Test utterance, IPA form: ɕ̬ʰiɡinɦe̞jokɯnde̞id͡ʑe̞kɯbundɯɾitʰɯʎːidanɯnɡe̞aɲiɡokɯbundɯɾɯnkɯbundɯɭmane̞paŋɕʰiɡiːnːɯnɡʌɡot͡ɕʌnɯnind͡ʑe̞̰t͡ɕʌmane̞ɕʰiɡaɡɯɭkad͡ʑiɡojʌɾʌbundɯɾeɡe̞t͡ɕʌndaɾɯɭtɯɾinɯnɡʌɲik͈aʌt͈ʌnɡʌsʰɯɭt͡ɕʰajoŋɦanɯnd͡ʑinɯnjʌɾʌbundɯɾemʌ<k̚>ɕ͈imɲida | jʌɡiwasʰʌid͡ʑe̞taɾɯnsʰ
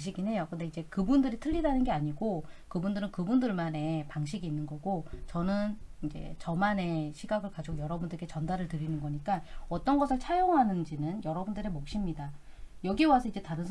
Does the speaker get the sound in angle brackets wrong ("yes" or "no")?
no